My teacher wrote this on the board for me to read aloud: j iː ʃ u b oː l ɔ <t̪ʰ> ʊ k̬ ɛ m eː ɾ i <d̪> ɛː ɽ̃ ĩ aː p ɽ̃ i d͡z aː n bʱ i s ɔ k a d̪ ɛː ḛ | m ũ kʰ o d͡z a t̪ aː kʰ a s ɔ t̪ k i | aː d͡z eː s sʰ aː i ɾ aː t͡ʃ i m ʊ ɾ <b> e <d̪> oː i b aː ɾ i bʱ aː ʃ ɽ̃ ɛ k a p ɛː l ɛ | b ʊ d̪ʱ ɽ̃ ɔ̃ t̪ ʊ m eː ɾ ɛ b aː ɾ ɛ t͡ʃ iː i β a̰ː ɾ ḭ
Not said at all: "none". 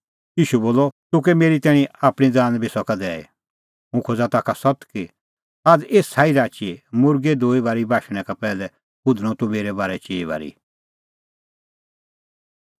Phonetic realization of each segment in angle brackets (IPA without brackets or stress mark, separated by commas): t̪, t̪, ɡ, d̪